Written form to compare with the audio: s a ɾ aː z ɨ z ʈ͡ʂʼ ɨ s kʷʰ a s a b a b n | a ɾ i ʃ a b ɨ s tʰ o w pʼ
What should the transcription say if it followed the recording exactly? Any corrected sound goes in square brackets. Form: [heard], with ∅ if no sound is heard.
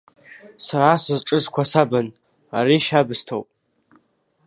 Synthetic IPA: s a ɾ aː [s] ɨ z ʈ͡ʂʼ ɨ [z] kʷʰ a s a b a [∅] n | a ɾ i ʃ a b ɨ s tʰ o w pʼ